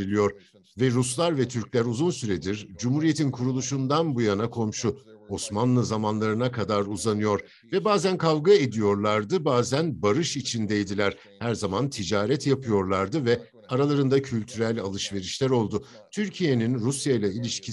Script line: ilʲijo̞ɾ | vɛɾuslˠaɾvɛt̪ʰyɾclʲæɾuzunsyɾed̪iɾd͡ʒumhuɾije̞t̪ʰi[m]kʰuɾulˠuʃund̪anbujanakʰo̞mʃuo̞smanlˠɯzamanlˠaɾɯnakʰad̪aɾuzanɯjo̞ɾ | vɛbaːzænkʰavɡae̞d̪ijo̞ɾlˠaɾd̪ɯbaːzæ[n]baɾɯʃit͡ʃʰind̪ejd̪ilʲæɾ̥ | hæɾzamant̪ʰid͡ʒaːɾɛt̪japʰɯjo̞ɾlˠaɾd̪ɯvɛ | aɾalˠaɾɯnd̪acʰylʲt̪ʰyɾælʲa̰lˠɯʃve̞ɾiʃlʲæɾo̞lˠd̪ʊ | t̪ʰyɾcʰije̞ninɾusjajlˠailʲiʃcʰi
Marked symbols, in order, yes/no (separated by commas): no, yes